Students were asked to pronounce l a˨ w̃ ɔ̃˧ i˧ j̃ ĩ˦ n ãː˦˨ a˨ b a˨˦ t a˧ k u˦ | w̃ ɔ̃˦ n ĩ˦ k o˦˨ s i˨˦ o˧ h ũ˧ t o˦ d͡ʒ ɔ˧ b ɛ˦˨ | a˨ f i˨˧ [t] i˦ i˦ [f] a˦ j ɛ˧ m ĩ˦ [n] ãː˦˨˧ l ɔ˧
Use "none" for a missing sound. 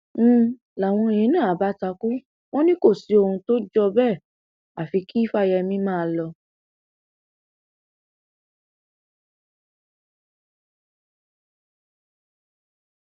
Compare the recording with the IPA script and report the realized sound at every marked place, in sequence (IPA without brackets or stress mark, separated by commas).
k, f, m